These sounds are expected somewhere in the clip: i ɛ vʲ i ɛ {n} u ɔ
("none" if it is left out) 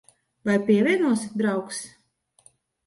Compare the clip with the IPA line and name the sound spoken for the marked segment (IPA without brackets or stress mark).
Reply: n